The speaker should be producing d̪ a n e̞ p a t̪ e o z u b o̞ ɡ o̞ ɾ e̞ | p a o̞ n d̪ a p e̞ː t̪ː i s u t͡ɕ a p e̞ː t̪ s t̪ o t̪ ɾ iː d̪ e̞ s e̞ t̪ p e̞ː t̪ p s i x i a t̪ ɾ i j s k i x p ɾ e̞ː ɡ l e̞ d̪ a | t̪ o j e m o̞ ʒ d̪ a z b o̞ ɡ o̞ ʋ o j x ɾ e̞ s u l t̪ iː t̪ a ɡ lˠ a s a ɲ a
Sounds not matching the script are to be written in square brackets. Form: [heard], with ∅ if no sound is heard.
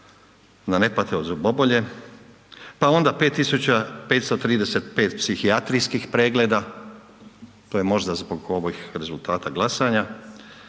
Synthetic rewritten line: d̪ a n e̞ p a t̪ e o z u b o̞ [b] o̞ [ʎ] e̞ | p a o̞ n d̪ a p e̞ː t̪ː i s u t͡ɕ a p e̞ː t̪ s t̪ o t̪ ɾ iː d̪ e̞ s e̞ t̪ p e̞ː t̪ p s i x i a t̪ ɾ i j s k i x p ɾ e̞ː ɡ l e̞ d̪ a | t̪ o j e m o̞ ʒ d̪ a z b o̞ ɡ o̞ ʋ o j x ɾ e̞ [z] u l t̪ [aː] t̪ a ɡ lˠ a s a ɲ a